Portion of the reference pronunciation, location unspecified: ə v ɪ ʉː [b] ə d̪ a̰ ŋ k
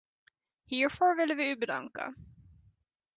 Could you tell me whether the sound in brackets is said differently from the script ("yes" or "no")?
no